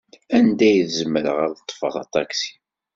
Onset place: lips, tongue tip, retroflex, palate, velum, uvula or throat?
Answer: tongue tip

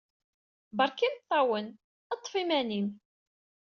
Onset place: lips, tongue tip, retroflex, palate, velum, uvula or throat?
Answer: lips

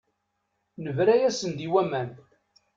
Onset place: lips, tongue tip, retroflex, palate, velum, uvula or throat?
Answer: tongue tip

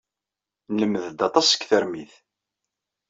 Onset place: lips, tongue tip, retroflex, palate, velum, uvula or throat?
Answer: tongue tip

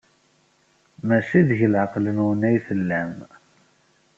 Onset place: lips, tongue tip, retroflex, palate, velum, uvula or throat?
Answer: lips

